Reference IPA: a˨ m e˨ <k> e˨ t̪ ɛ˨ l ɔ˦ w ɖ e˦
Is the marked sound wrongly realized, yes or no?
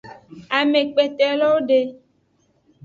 yes